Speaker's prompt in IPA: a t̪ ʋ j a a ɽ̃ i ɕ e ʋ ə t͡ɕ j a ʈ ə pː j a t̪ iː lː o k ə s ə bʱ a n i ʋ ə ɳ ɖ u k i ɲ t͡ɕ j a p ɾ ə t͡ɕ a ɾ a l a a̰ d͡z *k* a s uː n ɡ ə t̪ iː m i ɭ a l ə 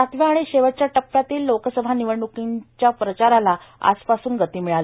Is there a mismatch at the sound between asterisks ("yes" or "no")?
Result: yes